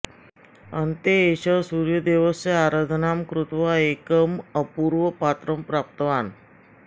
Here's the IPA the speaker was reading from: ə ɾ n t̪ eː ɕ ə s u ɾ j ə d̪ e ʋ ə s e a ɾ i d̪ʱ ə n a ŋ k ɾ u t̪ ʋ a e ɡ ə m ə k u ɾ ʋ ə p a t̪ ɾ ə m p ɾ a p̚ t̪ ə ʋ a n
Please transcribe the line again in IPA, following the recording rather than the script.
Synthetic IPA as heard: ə n t̪ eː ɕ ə s u ɾ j ə d̪ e ʋ ə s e a ɾ a d̪ʱ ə n a m k ɾ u t̪ ʋ a e k ə m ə p u ɾ ʋ ə p a t̪ ɾ ə m p ɾ a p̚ t̪ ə ʋ a n